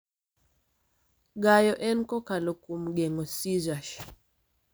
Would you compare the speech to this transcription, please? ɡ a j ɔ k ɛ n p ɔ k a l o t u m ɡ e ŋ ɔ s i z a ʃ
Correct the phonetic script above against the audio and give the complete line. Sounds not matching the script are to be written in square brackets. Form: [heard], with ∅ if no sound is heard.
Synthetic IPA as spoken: ɡ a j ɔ [ʔ] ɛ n [k] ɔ k a l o [k] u m ɡ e ŋ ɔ s i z a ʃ